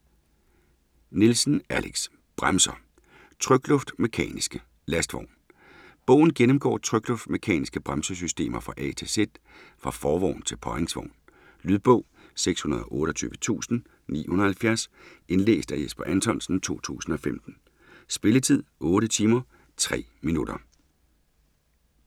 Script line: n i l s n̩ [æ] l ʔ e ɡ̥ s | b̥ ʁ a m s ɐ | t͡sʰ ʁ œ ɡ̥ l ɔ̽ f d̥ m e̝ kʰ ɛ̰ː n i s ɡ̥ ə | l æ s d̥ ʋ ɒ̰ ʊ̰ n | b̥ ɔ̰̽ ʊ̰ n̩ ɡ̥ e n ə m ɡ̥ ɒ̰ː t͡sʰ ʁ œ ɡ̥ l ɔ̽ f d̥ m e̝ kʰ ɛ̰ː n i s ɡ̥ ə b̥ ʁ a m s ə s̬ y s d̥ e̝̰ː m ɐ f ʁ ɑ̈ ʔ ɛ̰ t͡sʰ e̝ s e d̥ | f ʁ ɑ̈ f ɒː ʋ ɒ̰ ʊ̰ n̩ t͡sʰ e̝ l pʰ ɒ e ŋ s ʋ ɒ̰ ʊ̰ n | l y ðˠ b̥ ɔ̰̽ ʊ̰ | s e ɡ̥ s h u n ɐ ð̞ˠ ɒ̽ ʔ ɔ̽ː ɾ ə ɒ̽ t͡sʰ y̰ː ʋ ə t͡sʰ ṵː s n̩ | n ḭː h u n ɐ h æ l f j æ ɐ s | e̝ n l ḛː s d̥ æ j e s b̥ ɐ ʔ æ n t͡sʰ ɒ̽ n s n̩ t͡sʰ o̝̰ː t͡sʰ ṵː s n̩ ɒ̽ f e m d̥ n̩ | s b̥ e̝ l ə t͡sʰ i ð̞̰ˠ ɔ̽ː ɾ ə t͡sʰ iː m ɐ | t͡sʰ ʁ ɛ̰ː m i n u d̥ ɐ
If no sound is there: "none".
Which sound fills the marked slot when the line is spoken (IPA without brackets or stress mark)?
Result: æ